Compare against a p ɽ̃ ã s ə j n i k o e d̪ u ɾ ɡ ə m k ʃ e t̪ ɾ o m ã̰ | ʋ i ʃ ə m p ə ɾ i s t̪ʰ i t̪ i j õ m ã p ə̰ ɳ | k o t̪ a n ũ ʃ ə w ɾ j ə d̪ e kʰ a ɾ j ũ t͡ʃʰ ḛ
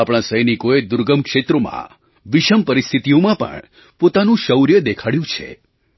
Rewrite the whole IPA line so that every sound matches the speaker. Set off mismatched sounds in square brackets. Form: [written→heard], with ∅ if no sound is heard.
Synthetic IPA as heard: a p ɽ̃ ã s ə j n i k o e d̪ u ɾ ɡ ə m k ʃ e t̪ ɾ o m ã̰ | ʋ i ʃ ə m p ə ɾ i s t̪ʰ i t̪ i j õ m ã p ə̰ ɳ | [k→p] o t̪ a n ũ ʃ ə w ɾ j ə d̪ e kʰ a [ɾ→ɽ] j ũ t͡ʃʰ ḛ